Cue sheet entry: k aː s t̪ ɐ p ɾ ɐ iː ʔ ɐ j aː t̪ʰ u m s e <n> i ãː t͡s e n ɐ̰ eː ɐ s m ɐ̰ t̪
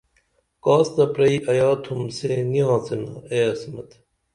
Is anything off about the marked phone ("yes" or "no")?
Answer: no